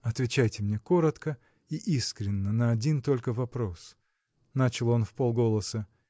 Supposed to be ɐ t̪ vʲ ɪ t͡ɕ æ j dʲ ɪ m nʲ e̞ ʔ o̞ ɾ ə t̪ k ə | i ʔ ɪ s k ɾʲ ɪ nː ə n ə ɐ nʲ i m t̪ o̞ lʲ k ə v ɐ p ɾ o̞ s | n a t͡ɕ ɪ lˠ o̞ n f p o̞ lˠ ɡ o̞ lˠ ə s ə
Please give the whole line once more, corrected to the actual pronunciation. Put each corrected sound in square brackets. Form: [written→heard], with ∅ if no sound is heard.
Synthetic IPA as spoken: ɐ t̪ vʲ ɪ t͡ɕ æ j [dʲ→tʲ] ɪ m nʲ e̞ [ʔ→k] o̞ ɾ ə t̪ k ə | i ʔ [ɪ→i] s k ɾʲ ɪ nː ə n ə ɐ [nʲ→dʲ] i [m→n] t̪ o̞ lʲ k ə v ɐ p ɾ o̞ s | n a t͡ɕ ɪ lˠ o̞ n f p o̞ lˠ ɡ o̞ lˠ ə s ə